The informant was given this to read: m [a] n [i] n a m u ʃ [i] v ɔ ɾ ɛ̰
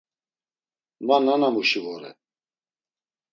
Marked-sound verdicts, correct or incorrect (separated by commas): correct, incorrect, correct